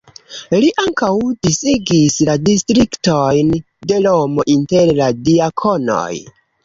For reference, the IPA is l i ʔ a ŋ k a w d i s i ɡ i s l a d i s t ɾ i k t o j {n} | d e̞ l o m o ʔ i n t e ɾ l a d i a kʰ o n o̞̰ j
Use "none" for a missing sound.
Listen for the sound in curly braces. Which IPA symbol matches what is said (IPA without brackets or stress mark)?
n